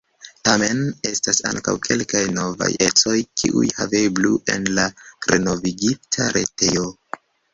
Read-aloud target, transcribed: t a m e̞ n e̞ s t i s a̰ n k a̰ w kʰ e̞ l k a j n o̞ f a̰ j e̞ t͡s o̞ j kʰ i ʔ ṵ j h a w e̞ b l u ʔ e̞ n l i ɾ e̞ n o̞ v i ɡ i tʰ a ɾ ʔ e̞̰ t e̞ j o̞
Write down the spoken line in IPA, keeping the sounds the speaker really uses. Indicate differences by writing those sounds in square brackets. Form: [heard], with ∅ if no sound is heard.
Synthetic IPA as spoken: t a m e̞ n e̞ s t [a] s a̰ [ŋ] k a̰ w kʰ e̞ l k a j n o̞ [v] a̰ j e̞ t͡s o̞ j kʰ i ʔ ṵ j h a [v] e̞ b l u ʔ e̞ n l [a] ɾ e̞ n o̞ v i ɡ i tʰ a ɾ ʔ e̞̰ t e̞ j o̞